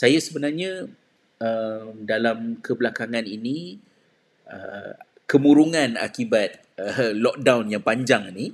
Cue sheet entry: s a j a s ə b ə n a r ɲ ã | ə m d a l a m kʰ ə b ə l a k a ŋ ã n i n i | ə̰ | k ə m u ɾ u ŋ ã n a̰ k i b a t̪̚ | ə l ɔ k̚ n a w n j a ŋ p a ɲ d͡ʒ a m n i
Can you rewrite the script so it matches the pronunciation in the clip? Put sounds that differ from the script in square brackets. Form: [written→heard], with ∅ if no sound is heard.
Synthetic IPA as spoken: s a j a s ə b ə n a r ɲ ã | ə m d a l a m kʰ ə b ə l a k a ŋ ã n i n i | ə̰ | k ə m u ɾ u ŋ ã n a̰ k i b a t̪̚ | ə l ɔ k̚ [n→d] a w n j a ŋ p a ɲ d͡ʒ a [m→ŋ] n i